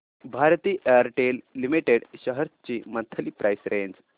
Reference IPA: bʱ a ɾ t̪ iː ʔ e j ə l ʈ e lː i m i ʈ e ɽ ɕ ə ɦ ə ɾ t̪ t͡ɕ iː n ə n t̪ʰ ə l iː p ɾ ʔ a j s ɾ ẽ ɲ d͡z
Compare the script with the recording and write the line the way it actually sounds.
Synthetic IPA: bʱ a ɾ t̪ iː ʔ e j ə ɾ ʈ e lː i m i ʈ e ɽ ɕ ə ɦ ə ɾ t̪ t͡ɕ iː m ə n t̪ʰ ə l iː p ɾ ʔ a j s ɾ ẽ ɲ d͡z